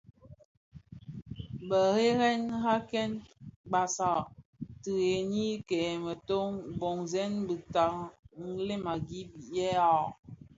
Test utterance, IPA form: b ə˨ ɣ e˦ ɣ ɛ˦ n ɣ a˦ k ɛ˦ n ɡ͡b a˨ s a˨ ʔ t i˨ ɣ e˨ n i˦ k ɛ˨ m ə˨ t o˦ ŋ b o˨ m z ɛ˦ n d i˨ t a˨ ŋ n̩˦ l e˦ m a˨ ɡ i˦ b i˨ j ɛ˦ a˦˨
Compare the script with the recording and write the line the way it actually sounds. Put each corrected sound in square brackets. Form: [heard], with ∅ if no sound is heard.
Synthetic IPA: b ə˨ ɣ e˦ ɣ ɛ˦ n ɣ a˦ k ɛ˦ n ɡ͡b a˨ s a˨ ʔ t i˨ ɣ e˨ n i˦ k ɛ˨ m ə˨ t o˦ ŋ b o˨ [ŋ] z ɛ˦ n [b] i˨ t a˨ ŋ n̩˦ l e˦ m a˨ ɡ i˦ b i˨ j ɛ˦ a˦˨